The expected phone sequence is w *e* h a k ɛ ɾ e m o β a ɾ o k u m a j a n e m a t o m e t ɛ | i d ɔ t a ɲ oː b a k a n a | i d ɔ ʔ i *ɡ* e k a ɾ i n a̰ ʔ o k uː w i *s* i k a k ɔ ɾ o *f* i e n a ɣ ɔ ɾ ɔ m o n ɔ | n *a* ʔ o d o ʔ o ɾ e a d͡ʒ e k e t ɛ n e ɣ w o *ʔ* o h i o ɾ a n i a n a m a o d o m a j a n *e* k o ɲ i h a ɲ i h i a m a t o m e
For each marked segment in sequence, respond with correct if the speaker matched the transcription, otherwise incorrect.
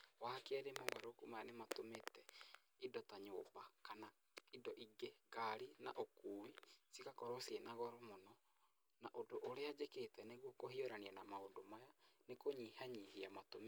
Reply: incorrect: a, correct, correct, incorrect: s, correct, incorrect: k, correct

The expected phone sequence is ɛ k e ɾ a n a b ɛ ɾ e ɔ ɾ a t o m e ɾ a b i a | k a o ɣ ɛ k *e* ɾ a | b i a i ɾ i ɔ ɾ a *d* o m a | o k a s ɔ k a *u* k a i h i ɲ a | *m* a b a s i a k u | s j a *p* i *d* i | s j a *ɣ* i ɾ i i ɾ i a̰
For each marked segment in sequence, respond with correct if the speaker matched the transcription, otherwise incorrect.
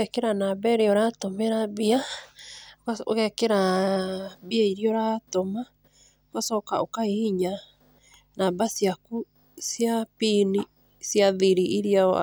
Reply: correct, incorrect: t, incorrect: o, incorrect: n, correct, incorrect: n, incorrect: ð

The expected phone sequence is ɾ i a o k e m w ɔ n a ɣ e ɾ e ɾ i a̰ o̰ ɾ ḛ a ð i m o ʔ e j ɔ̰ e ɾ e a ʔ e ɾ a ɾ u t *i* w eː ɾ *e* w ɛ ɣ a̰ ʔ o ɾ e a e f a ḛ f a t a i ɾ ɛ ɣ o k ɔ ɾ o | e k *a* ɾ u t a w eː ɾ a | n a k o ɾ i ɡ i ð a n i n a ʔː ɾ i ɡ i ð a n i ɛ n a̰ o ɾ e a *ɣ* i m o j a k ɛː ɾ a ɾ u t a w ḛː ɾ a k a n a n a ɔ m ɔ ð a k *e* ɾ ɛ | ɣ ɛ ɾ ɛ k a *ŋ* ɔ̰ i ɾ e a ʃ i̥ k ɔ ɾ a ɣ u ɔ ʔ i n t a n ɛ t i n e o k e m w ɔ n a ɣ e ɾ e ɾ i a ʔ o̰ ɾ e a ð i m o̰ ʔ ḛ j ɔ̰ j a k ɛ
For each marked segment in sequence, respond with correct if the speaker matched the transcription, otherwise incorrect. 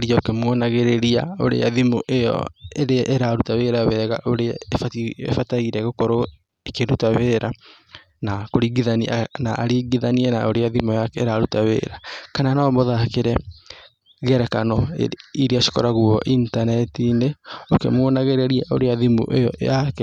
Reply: incorrect: a, incorrect: a, incorrect: e, incorrect: ð, correct, incorrect: n

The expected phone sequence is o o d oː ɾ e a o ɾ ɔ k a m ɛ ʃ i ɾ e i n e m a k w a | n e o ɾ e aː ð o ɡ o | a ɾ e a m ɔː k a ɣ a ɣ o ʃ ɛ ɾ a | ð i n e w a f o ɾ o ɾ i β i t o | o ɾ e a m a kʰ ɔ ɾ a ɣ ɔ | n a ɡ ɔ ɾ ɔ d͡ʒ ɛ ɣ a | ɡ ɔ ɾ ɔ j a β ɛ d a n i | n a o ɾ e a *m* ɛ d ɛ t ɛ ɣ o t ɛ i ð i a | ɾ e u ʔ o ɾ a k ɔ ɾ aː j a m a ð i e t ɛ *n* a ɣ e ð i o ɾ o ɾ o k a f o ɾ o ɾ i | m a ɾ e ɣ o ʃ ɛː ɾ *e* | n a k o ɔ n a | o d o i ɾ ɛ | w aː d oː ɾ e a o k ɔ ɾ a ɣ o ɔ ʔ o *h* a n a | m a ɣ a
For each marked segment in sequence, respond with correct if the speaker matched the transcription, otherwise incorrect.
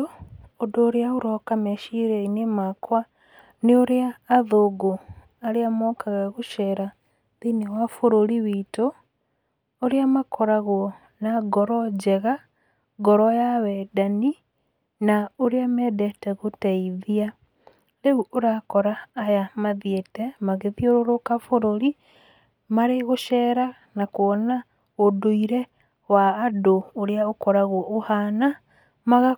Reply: correct, incorrect: m, incorrect: a, correct

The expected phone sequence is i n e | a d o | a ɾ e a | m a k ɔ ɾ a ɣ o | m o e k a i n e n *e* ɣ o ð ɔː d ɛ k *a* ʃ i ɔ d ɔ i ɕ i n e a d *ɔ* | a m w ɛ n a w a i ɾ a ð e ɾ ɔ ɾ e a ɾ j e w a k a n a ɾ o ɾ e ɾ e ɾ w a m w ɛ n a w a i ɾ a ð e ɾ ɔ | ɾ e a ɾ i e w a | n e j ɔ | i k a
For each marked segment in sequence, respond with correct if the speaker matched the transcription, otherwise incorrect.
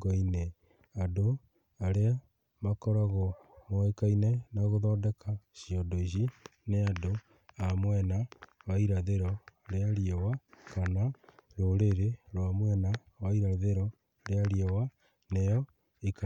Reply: incorrect: a, correct, incorrect: o

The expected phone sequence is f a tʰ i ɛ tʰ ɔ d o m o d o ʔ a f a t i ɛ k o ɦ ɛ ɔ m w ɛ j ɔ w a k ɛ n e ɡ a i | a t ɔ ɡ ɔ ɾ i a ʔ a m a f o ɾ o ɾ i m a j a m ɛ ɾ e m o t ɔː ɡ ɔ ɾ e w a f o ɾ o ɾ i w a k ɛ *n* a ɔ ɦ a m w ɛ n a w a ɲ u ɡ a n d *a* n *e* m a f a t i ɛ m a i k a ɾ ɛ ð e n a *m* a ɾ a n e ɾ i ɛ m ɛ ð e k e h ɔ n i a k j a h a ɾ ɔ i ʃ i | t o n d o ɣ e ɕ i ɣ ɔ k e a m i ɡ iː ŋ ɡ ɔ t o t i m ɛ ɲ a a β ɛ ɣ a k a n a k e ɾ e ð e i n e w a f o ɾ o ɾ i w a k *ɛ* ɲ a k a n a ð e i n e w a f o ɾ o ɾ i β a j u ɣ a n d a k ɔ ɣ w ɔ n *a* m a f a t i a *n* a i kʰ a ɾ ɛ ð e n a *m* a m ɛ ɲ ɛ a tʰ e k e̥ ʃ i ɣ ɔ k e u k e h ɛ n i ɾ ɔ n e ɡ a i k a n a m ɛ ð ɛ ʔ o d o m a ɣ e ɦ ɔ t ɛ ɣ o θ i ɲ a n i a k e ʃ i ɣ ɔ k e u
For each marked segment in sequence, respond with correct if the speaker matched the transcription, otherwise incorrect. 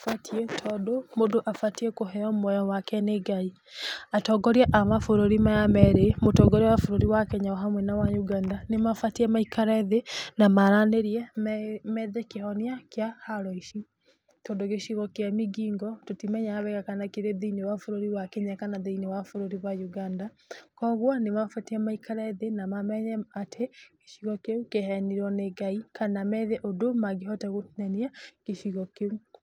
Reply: incorrect: ɲ, correct, correct, correct, incorrect: e, incorrect: e, incorrect: m, correct

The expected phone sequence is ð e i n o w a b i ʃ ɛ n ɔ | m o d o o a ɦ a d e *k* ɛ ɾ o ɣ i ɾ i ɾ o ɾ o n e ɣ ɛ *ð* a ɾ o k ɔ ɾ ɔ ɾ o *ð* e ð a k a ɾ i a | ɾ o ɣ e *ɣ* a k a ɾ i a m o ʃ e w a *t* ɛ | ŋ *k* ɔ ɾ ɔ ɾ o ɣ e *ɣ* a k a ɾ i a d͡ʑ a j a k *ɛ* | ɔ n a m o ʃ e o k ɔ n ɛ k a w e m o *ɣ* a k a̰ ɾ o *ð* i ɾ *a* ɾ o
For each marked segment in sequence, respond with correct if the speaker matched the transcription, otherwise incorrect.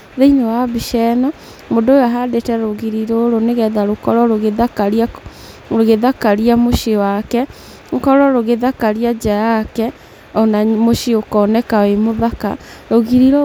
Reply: incorrect: t, correct, incorrect: ɣ, incorrect: ð, incorrect: k, correct, incorrect: ð, correct, incorrect: ð, incorrect: ɣ, incorrect: i

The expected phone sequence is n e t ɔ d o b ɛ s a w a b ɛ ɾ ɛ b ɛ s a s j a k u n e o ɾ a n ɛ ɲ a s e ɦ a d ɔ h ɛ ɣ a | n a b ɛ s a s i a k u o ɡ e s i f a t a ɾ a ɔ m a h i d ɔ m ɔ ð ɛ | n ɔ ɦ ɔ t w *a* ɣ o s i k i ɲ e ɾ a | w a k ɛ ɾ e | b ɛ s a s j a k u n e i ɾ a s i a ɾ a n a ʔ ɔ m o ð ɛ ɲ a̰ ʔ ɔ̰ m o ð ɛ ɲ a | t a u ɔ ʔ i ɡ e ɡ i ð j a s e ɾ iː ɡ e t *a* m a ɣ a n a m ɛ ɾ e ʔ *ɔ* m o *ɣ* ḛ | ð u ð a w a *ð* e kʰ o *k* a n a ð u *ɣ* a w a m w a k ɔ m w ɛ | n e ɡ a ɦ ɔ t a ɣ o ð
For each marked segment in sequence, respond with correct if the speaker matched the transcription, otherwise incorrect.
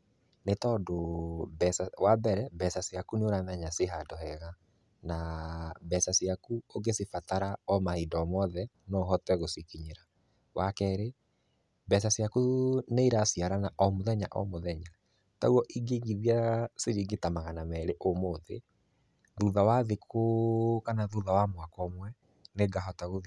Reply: incorrect: ɛ, correct, incorrect: o, incorrect: ð, correct, correct, incorrect: ð

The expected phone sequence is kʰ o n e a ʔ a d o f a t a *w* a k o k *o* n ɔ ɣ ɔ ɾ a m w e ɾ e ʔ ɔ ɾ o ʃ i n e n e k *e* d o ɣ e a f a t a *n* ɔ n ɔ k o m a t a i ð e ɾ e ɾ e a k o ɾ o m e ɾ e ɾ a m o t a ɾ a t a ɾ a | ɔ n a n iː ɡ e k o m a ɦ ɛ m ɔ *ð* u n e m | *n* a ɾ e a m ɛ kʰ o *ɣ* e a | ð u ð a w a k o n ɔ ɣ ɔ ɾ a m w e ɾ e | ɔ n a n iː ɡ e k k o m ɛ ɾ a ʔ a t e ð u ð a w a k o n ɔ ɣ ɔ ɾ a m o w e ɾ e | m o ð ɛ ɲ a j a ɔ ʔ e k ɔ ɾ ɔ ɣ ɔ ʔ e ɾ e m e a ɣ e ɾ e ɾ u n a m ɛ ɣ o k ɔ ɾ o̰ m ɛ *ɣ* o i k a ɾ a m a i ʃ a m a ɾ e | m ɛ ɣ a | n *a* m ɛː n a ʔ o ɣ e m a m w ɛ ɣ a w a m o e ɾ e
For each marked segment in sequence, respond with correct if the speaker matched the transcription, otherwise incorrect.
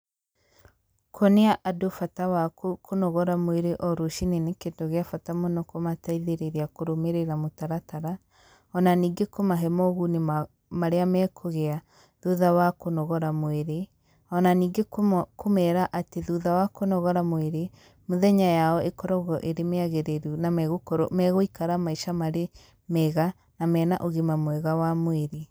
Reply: correct, correct, correct, incorrect: m, incorrect: ɣ, incorrect: m, correct, correct, correct

